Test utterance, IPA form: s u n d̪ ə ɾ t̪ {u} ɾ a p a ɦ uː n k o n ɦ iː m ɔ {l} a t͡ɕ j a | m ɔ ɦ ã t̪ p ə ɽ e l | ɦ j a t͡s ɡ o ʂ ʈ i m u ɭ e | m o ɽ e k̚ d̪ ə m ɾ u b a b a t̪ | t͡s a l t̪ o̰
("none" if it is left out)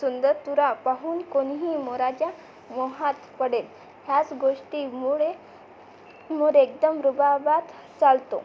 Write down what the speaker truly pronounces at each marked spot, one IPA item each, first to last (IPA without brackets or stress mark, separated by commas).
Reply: u, ɾ